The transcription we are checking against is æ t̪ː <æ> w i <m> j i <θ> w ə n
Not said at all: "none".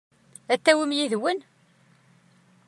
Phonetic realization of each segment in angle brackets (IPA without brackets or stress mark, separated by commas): æ, m, ð